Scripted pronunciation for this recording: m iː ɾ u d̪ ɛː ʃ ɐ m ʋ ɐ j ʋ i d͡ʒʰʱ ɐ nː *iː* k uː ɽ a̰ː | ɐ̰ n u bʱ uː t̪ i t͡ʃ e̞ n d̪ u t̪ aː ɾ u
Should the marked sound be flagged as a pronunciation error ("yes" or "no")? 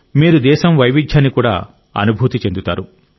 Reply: yes